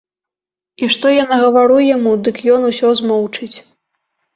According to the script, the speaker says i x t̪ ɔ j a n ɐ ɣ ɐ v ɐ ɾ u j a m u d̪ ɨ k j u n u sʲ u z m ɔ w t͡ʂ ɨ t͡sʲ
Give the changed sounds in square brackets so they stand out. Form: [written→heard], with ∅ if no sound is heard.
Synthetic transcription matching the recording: i [x→ʂ] t̪ ɔ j a n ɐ ɣ ɐ v [ɐ→a] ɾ u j a m u d̪ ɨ k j [u→ɔ] n u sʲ [u→ɔ] z m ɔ w t͡ʂ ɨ t͡sʲ